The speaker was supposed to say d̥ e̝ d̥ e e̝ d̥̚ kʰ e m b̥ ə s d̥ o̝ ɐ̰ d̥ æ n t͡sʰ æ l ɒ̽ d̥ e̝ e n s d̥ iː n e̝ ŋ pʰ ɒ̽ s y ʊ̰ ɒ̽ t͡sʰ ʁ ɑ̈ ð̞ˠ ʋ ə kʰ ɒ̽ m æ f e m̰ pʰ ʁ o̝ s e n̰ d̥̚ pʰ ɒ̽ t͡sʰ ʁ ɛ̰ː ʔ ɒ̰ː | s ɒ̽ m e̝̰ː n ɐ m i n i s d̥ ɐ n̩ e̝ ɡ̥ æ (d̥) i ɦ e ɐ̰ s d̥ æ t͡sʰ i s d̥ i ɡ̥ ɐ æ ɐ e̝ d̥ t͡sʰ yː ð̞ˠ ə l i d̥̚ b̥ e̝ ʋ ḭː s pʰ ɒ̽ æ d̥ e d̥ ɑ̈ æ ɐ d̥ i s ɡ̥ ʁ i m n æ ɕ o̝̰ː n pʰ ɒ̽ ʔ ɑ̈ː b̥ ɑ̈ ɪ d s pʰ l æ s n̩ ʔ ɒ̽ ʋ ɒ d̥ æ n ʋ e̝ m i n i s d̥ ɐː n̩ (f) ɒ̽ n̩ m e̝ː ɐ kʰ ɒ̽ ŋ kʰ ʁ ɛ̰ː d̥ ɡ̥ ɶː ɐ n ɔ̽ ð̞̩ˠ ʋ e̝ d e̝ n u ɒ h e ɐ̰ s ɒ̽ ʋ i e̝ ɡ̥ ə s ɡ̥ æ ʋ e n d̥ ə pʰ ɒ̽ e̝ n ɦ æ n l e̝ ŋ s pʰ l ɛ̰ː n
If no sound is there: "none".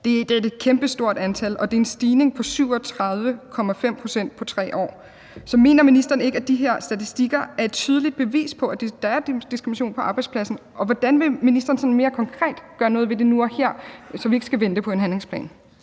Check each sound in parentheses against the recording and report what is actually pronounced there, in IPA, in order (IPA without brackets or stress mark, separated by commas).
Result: d̥, s